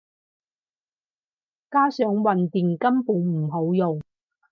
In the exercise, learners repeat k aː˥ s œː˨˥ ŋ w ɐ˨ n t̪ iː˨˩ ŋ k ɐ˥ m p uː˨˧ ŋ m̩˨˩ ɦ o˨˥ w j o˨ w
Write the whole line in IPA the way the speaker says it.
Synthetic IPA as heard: k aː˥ s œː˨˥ ŋ w ɐ˨ n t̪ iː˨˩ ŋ k ɐ˥ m p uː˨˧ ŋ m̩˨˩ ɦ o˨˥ w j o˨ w